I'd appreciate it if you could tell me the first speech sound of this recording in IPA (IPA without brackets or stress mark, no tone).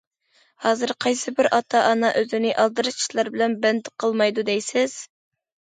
h